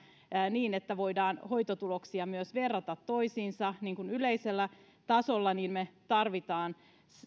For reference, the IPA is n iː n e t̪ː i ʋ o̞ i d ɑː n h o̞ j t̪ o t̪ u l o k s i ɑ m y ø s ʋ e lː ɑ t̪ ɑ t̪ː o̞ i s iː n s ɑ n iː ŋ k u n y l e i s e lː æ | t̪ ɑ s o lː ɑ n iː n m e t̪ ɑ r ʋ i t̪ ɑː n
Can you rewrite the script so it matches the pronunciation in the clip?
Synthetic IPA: n iː n e t̪ː æ ʋ o̞ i d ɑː n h o̞ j t̪ o t̪ u l o k s i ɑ m y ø s ʋ e rː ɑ t̪ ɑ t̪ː o̞ i s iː n s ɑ n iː ŋ k u n y l e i s e lː æ | t̪ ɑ s o lː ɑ n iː n m e t̪ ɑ r ʋ i t̪ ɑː n